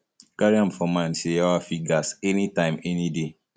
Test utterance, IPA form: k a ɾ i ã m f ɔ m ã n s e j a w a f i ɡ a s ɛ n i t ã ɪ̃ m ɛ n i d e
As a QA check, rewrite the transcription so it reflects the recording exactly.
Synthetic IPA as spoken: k a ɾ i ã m f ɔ m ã n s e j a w a f i ɡ a s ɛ n i t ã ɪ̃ m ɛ n i d e

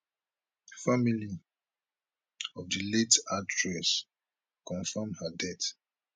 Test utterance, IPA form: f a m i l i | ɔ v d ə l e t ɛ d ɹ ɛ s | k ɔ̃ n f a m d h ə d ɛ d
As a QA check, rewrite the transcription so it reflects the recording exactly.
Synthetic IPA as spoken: f a m i l i | ɔ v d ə l e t a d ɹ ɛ s | k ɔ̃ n f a m d h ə d ɛ t

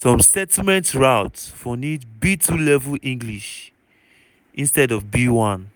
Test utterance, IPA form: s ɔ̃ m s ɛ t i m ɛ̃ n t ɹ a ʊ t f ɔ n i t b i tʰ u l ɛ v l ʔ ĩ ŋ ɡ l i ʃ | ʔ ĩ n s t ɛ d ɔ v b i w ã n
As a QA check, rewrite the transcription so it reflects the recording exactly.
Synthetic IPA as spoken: s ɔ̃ m s ɛ t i m ɛ̃ n t ɹ a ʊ t f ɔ n i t b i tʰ u l ɛ v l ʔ ĩ ŋ ɡ l i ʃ | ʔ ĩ n s t ɛ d ɔ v b i w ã n

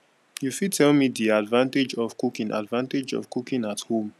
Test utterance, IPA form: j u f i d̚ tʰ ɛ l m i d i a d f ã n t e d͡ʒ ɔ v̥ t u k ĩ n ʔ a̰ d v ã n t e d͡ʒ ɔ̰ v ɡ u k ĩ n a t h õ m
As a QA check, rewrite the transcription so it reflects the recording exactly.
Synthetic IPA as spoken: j u f i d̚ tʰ ɛ l m i d i a d v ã n t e d͡ʒ ɔ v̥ k u k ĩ n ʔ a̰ d v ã n t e d͡ʒ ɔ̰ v k u k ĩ n a t h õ m

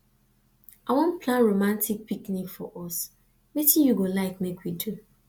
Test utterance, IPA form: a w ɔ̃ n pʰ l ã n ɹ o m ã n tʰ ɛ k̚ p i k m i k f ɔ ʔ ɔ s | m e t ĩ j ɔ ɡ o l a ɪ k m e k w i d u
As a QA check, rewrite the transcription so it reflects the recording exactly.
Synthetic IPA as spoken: a w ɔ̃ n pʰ l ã n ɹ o m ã n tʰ i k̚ p i k n i k f ɔ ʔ ɔ s | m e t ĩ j u ɡ o l a ɪ k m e k w i d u

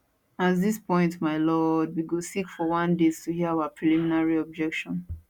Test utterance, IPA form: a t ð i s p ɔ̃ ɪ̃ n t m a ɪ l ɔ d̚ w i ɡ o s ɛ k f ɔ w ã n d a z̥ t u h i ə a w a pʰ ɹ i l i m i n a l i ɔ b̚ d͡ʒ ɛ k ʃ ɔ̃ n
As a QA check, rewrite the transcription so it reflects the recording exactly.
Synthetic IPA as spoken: a t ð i s p ɔ̃ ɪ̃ n t m a ɪ l ɔ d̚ w i ɡ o s i k f ɔ w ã n d e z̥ t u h i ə a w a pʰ ɹ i l i m i n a ɹ i ɔ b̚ d͡ʒ ɛ k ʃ ɔ̃ n

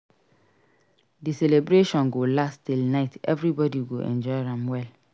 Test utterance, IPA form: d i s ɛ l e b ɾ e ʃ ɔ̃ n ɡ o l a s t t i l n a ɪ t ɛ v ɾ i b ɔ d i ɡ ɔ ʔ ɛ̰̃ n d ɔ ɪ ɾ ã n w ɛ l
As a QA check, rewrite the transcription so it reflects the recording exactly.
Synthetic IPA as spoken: d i s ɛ l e b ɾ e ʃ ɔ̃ n ɡ o l a s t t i l n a ɪ t ɛ v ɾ i b ɔ d i ɡ o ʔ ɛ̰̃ n d͡ʒ ɔ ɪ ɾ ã m w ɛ l

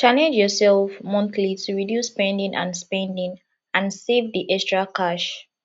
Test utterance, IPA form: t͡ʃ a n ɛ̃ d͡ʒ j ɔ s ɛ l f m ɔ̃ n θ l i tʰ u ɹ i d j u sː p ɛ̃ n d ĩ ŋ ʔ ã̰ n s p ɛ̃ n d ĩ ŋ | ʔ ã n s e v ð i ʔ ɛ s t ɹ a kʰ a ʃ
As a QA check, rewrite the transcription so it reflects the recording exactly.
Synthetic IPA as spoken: t͡ʃ a n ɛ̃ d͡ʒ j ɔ s ɛ l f m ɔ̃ n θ l i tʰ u ɹ i d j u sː p ɛ̃ n d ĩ ŋ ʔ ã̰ n s p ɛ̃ n d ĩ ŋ | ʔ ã n s e v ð i ʔ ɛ s t ɹ a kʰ a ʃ

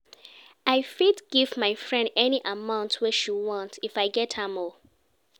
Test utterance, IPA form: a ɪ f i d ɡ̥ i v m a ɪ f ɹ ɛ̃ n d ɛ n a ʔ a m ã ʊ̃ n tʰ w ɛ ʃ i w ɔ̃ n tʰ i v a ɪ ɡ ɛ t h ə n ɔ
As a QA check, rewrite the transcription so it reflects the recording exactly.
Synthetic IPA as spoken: a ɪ f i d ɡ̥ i v m a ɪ f ɹ ɛ̃ n d ɛ n i ʔ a m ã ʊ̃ n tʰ w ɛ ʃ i w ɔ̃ n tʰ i f a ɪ ɡ ɛ t h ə m ɔ

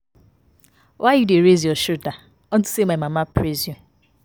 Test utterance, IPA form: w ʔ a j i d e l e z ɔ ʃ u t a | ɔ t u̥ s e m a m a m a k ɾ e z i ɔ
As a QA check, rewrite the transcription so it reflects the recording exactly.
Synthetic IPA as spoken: w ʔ a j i d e ɾ e z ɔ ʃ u t a | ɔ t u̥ s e m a m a m a p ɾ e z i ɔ

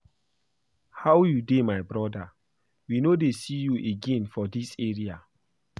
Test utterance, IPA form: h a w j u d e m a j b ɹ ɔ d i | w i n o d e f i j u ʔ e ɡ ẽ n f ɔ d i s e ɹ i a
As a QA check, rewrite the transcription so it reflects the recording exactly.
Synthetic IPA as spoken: h a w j u d e m a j b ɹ ɔ d a | w i n o d e s i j u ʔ e ɡ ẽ n f ɔ d i s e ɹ i a

